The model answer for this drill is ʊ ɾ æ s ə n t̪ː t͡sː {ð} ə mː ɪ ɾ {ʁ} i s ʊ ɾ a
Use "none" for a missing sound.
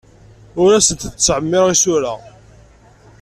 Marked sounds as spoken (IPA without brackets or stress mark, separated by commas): ʕ, ʁ